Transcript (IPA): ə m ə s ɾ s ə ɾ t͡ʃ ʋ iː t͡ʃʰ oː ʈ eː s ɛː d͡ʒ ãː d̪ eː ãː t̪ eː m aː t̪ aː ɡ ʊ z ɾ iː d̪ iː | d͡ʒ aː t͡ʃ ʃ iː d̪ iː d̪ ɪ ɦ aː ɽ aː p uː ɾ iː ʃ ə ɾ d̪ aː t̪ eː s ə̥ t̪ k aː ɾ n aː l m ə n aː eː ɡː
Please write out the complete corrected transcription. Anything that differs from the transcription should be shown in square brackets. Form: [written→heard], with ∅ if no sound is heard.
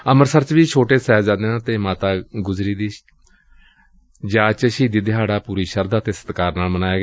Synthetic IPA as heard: ə m ə [s→∅] ɾ s ə ɾ t͡ʃ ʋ iː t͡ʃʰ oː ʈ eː s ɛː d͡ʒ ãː d̪ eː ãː t̪ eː m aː t̪ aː ɡ ʊ z ɾ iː d̪ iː | d͡ʒ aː t͡ʃ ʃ iː d̪ iː d̪ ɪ ɦ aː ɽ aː p uː ɾ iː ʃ ə ɾ d̪ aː t̪ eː s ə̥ t̪ k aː ɾ n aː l m ə n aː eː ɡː